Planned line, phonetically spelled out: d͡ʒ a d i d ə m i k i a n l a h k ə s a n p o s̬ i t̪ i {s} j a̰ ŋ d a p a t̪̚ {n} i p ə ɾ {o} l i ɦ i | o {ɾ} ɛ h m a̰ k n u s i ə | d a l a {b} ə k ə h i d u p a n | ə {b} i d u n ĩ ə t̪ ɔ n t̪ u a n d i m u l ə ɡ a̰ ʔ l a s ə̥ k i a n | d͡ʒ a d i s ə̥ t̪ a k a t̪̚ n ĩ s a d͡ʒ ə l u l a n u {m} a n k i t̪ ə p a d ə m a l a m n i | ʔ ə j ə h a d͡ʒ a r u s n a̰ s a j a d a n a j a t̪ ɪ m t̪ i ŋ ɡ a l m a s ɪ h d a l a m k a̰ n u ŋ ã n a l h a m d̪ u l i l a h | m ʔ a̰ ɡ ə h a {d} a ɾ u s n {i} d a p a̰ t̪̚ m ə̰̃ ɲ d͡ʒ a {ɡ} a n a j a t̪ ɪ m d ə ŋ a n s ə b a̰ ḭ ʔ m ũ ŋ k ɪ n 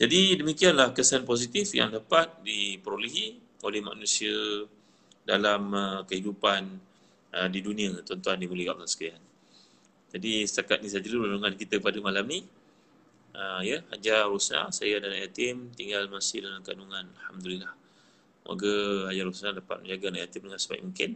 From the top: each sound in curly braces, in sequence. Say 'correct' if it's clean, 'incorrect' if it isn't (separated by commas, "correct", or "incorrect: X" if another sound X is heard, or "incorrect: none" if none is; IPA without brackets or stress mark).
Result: incorrect: f, incorrect: d, correct, incorrect: l, incorrect: m, incorrect: d, incorrect: ŋ, incorrect: d͡ʒ, incorrect: a, correct